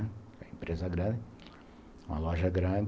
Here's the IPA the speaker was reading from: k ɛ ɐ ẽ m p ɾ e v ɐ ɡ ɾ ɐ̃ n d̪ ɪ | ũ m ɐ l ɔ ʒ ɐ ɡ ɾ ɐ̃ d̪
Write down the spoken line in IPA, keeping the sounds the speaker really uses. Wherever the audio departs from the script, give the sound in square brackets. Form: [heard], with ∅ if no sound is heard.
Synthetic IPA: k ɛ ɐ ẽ m p ɾ e [z] ɐ ɡ ɾ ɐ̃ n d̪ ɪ | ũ m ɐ l ɔ ʒ ɐ ɡ ɾ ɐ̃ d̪